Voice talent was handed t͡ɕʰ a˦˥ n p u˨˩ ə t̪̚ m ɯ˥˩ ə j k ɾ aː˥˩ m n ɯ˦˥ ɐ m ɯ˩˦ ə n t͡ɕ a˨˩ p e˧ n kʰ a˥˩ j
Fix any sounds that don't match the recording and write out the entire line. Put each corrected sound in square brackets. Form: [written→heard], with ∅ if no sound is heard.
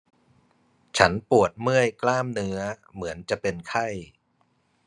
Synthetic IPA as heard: t͡ɕʰ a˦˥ n p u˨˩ ə t̪̚ m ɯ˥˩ ə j k [ɾ→l] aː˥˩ m n ɯ˦˥ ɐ m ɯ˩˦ ə n t͡ɕ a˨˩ p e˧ n kʰ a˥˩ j